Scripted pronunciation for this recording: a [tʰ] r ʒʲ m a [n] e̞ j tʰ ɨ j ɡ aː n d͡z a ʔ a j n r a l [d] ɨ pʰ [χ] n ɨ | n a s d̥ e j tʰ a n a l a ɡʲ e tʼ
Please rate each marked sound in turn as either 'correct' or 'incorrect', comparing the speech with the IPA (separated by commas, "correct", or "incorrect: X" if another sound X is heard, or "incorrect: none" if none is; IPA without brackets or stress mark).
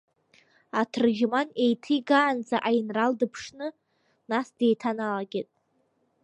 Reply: correct, correct, correct, incorrect: ʂ